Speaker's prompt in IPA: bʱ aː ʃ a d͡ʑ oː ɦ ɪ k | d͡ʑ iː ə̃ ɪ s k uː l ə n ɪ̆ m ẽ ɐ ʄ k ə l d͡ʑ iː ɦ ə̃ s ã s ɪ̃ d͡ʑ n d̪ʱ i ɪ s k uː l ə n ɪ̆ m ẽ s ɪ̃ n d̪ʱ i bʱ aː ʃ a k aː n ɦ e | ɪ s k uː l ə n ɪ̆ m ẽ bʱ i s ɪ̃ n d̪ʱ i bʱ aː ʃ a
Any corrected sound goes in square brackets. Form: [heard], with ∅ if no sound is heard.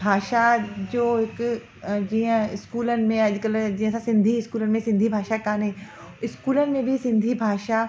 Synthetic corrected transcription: bʱ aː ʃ a d͡ʑ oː ɦ ɪ k | d͡ʑ iː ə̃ ɪ s k uː l ə n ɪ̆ m ẽ ɐ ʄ k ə l d͡ʑ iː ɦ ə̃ s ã s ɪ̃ [∅] n d̪ʱ i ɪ s k uː l ə n ɪ̆ m ẽ s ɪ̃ n d̪ʱ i bʱ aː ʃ a k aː n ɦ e | ɪ s k uː l ə n ɪ̆ m ẽ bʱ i s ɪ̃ n d̪ʱ i bʱ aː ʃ a